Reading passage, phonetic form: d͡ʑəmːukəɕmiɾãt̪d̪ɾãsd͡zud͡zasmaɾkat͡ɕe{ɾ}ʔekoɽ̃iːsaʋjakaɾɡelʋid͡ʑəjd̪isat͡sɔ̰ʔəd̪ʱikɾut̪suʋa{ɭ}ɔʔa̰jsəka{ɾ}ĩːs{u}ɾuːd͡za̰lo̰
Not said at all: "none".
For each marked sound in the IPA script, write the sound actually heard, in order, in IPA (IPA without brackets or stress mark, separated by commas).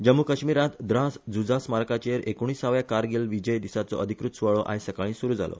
ɾ, ɭ, ɭ, u